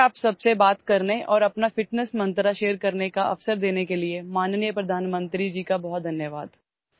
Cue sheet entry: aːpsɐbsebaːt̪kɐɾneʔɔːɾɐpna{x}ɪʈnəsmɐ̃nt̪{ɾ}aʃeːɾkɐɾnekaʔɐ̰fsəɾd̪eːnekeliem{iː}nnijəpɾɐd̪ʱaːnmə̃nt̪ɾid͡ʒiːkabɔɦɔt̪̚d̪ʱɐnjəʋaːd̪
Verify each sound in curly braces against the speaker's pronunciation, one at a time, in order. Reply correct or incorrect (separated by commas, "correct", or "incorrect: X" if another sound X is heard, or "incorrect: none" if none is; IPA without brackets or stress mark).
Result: incorrect: f, correct, incorrect: aː